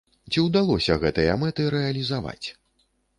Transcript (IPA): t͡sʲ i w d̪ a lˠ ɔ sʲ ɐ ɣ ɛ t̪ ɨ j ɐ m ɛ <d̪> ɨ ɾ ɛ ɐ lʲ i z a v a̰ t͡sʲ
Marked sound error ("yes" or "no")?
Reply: yes